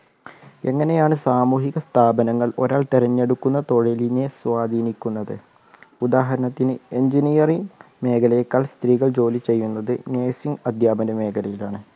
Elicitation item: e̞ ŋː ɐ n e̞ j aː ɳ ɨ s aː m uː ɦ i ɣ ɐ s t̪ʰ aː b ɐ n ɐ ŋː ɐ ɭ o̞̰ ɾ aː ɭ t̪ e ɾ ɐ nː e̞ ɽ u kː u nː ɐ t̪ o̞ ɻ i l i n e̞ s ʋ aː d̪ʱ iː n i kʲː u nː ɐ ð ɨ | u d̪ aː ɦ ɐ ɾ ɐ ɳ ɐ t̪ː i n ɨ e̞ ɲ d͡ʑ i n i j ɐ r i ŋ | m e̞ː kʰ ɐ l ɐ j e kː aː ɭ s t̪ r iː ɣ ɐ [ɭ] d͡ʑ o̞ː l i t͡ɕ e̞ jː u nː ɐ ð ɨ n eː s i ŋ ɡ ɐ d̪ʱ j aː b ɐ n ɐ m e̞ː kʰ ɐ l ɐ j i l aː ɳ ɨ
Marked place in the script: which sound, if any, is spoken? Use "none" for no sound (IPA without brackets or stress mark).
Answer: ɭ